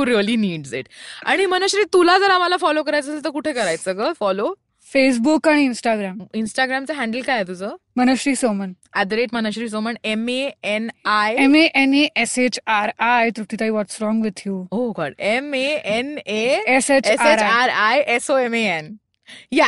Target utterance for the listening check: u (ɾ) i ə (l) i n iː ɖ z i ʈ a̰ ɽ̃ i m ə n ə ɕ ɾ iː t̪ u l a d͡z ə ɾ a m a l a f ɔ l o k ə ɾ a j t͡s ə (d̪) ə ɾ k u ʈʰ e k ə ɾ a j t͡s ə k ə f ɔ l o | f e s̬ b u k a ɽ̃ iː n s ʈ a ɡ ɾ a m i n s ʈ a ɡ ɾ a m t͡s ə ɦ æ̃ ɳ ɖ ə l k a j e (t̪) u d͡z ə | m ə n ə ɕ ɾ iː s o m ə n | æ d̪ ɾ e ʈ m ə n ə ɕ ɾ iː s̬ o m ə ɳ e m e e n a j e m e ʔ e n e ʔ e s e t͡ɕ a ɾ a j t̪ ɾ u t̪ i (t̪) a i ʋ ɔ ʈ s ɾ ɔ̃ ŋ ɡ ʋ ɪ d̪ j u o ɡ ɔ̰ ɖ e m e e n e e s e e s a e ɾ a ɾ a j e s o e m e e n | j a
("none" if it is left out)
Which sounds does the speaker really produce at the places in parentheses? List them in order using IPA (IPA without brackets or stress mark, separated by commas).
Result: ɾ, l, t̪, t̪, t̪